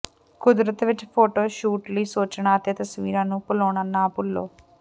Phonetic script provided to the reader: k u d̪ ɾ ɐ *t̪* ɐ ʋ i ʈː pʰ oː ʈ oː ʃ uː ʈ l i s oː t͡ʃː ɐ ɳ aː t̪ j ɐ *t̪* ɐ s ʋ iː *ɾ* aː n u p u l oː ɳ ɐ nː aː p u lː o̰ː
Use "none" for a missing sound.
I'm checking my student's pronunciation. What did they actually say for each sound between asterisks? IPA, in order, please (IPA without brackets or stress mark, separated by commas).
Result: t̪, t̪, ɾ